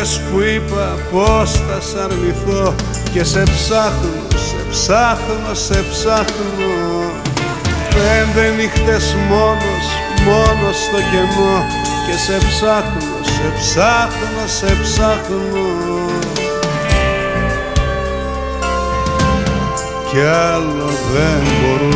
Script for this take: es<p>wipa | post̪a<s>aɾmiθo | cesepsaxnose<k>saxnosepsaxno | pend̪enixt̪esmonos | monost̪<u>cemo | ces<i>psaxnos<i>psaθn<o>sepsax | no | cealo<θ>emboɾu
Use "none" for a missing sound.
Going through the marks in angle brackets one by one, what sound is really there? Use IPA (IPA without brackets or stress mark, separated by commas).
k, s, p, o, e, e, o, ð